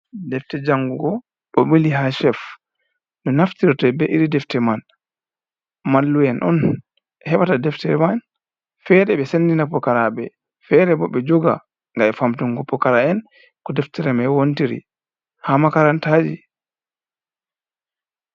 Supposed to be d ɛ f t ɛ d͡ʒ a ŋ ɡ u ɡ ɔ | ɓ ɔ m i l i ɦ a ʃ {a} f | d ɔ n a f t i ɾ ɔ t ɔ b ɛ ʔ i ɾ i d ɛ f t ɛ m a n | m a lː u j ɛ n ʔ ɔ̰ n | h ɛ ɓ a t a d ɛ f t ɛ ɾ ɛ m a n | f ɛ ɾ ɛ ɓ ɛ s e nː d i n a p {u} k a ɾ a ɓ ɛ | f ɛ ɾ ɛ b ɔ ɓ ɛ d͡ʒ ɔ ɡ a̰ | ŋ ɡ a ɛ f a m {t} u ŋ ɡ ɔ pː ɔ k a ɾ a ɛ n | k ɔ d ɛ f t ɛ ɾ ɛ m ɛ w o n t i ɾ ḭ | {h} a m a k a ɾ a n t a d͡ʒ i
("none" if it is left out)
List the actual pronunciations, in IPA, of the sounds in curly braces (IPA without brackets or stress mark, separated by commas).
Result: ɛ, ɔ, t, h